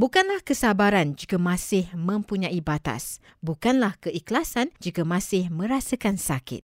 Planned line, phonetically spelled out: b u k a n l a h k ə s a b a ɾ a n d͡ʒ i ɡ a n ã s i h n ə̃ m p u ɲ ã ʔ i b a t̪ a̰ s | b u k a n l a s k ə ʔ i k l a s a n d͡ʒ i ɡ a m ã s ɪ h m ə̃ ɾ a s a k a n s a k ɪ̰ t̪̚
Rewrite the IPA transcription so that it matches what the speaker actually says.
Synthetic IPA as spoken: b u k a n l a h k ə s a b a ɾ a n d͡ʒ i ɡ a m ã s ɪ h m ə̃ m p u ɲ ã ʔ i b a t̪ a̰ s | b u k a n l a h k ə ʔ i k l a s a n d͡ʒ i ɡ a m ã s ɪ h m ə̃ ɾ a s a k a n s a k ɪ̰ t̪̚